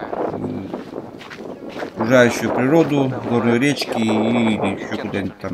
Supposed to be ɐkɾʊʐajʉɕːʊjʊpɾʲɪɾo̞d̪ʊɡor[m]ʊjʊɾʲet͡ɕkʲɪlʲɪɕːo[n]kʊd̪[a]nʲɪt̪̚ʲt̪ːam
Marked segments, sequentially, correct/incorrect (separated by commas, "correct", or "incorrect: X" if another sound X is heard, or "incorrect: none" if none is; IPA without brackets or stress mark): incorrect: n, incorrect: none, correct